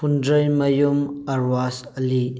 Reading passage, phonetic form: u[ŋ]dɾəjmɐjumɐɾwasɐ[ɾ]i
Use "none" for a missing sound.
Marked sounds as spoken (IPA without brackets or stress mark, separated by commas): n, l